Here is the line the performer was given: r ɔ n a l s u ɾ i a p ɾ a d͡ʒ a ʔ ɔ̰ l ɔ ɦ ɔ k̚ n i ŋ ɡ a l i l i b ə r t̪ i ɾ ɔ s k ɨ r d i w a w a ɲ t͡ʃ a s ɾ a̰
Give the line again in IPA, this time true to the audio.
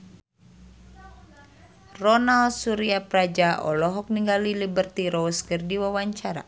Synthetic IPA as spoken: r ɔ n a l s u ɾ i a p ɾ a d͡ʒ a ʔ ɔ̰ l ɔ ɦ ɔ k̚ n i ŋ ɡ a l i l i b ə r t̪ i ɾ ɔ s k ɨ r d i w a w a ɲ t͡ʃ a ɾ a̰